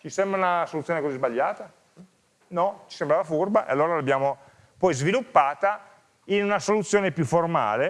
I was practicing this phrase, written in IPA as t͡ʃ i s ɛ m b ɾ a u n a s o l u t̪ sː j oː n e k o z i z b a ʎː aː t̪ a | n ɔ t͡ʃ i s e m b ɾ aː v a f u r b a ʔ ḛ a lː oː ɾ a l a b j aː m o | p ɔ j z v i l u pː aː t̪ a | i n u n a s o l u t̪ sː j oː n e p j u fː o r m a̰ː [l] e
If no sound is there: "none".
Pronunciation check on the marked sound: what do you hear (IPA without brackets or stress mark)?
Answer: l